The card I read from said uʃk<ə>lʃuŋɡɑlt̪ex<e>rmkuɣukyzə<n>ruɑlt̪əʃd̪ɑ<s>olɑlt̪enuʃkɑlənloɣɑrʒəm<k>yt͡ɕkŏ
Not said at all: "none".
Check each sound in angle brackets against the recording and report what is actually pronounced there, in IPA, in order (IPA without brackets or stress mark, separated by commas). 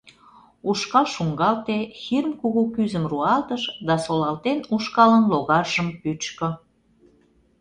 ɑ, i, m, s, p